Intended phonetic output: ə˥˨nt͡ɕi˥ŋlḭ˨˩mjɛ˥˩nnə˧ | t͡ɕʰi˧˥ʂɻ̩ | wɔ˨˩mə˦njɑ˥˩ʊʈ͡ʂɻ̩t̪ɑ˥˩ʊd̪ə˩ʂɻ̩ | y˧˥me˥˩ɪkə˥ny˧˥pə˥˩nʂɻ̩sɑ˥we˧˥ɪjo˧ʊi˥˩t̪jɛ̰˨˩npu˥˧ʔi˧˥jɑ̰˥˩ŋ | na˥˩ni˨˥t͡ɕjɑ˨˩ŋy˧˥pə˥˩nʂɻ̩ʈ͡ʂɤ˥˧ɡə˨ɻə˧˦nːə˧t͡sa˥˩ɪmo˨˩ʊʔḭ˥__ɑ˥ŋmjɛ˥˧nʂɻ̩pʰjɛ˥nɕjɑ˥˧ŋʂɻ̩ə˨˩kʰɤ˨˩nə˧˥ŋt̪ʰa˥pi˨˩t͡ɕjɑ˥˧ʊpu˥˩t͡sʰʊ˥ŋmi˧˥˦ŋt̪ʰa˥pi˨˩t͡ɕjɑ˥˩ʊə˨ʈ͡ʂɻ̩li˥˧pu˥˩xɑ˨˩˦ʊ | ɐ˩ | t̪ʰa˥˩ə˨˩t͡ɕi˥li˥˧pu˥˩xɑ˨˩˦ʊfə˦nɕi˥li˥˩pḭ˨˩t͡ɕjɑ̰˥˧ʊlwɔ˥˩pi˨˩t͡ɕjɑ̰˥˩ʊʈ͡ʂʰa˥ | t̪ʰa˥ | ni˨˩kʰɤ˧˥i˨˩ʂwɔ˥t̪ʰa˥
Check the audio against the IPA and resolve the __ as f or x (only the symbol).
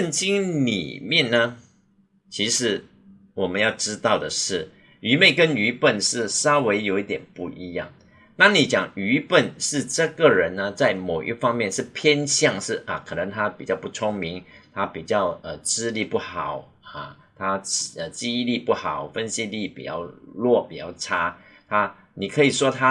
f